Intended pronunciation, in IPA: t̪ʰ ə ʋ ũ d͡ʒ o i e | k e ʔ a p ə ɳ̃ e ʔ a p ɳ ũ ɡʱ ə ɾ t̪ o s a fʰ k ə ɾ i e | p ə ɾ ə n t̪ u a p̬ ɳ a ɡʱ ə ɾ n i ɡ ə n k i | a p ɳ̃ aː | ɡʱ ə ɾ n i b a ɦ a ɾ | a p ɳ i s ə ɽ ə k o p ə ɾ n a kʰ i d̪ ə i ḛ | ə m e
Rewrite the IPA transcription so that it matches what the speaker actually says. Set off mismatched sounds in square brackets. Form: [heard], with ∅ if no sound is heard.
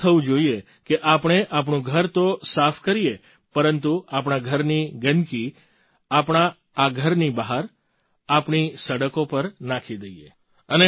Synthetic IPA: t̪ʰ ə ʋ ũ d͡ʒ o i e | k e ʔ a p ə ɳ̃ e ʔ a p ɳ ũ ɡʱ ə ɾ t̪ o s a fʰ k ə ɾ i e | p ə ɾ ə n t̪ u a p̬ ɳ a ɡʱ ə ɾ n i ɡ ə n k i | a p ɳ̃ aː | ɡʱ ə ɾ n i b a ɦ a ɾ | a p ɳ i s ə ɽ ə k o p ə ɾ n a kʰ i d̪ ə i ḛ | ə [n] e